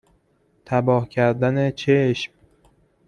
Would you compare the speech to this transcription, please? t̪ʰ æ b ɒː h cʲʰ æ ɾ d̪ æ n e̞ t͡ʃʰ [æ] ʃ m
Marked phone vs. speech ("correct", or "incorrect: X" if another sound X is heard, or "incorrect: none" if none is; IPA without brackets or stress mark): incorrect: e